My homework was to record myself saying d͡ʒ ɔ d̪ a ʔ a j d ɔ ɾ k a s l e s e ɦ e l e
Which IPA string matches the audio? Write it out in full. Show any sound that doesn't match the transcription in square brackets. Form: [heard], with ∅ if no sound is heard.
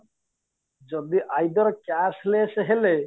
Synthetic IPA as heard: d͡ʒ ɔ d̪ [i] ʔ a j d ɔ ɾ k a s l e s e ɦ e l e